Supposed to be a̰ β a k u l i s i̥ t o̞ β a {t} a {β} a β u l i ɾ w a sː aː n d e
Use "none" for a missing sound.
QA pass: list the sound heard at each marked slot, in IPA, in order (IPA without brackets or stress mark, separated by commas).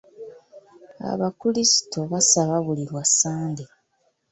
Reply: s, β